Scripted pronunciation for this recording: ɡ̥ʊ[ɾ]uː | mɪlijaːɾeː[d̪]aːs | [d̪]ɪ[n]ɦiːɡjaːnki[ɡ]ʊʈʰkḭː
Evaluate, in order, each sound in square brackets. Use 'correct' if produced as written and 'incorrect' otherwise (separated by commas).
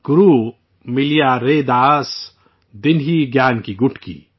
correct, correct, correct, correct, correct